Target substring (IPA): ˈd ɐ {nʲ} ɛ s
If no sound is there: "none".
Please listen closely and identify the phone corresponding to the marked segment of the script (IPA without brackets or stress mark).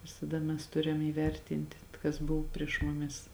mʲ